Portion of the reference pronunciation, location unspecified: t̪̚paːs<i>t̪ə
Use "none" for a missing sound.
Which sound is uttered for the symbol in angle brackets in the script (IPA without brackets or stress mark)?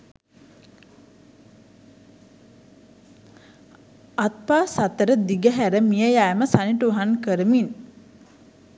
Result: a